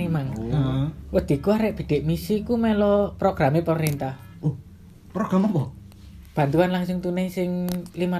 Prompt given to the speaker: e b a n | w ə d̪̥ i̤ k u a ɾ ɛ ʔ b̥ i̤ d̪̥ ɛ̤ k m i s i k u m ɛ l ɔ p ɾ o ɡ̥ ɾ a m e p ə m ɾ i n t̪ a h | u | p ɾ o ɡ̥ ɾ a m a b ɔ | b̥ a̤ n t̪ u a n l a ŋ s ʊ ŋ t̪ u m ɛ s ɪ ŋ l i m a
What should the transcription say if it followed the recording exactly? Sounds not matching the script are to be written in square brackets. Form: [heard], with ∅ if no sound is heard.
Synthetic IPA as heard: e [m] a [ŋ] | w ə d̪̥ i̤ k u a ɾ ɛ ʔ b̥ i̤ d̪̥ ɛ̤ [ʔ] m i s i k u m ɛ l ɔ p ɾ o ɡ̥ ɾ a m e p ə m ɾ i n t̪ a h | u | p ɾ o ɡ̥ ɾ a m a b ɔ | b̥ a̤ n t̪ u a n l a ŋ s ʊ ŋ t̪ u [n] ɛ s ɪ ŋ l i m a